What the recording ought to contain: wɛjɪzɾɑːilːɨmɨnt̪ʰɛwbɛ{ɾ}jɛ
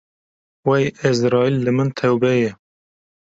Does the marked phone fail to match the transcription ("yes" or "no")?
yes